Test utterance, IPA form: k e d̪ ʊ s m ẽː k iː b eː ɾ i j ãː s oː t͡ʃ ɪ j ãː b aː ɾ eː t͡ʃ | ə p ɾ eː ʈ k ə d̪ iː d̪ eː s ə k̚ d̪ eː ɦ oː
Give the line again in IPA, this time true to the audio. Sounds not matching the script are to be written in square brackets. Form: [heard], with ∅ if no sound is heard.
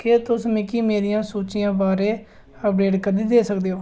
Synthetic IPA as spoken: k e [t̪] ʊ s m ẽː k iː [m] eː ɾ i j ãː s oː t͡ʃ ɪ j ãː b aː ɾ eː [∅] | ə p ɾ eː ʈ k ə d̪ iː d̪ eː s ə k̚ d̪ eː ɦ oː